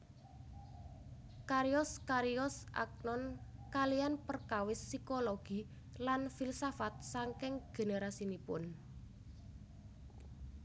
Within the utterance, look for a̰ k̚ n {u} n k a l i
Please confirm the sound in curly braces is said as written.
no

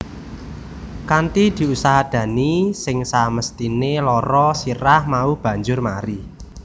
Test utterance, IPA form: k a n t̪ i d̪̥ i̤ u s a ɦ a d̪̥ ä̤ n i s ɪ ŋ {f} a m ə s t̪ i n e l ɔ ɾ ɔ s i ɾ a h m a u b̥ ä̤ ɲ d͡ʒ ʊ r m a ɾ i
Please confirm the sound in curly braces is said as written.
no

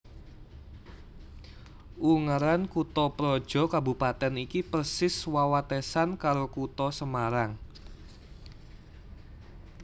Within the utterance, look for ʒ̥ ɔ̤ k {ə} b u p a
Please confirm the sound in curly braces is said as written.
no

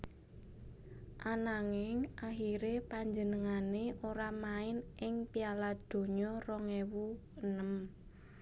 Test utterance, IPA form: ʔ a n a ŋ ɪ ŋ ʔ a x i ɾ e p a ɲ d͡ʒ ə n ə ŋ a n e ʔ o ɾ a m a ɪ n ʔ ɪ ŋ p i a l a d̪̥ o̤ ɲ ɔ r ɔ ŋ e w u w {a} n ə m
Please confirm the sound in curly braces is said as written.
no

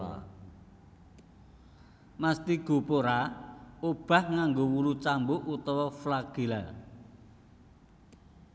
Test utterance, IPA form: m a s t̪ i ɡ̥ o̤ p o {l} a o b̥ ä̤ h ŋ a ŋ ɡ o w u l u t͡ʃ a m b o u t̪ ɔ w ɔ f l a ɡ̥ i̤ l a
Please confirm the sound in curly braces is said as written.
no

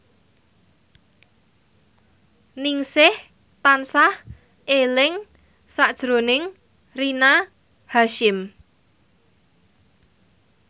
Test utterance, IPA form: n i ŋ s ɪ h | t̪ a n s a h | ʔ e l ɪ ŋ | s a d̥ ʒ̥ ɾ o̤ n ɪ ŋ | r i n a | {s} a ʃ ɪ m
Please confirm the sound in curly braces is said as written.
no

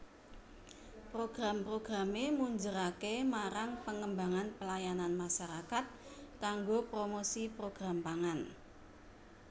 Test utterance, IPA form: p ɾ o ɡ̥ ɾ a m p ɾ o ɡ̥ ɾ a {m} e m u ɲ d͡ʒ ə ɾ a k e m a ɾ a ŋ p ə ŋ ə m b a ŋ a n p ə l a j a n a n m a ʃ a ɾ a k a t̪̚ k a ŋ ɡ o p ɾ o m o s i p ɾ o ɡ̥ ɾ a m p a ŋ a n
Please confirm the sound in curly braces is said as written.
yes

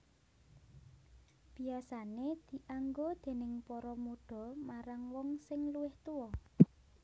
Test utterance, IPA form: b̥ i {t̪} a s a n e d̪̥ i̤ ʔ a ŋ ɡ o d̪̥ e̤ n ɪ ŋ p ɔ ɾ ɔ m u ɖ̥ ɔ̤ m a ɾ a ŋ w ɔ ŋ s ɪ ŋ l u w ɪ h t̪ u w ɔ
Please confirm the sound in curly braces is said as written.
no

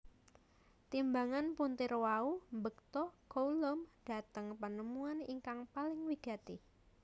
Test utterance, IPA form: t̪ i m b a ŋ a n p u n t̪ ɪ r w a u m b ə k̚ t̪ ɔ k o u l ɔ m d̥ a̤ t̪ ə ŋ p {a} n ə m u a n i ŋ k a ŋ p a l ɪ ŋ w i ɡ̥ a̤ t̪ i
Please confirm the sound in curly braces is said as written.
no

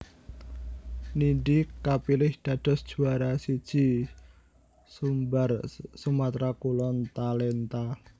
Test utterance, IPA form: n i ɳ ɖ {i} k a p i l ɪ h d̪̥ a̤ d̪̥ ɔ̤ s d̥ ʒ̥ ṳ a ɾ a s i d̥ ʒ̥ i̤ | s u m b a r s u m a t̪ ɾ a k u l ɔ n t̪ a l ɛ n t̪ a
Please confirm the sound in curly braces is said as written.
yes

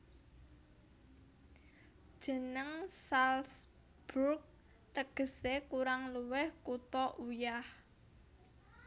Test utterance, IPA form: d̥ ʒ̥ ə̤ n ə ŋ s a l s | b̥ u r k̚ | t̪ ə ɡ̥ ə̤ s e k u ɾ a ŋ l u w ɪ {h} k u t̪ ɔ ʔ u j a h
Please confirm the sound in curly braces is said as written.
yes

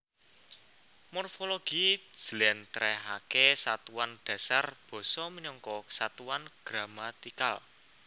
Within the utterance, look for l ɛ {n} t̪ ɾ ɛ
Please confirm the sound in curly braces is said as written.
yes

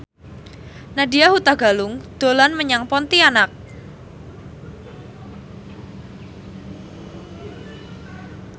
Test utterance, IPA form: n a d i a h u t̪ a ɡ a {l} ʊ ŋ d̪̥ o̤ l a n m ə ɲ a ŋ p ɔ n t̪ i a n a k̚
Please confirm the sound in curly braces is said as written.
yes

